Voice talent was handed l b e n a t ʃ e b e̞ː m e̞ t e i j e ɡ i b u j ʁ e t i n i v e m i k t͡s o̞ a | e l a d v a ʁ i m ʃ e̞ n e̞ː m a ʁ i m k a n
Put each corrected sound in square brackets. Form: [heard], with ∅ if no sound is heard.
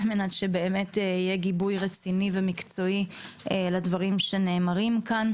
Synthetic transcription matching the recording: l [m] e n a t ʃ e b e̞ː m e̞ t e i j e ɡ i b u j ʁ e [t͡s] i n i v e m i k t͡s o̞ [i] | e l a d v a ʁ i m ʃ e̞ n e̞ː m a ʁ i m k a n